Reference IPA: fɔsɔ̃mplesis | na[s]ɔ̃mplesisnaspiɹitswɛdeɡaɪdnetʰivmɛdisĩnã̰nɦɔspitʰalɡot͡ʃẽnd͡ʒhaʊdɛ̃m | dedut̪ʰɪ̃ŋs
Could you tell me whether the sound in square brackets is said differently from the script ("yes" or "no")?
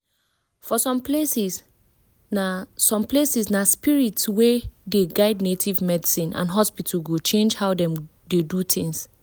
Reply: no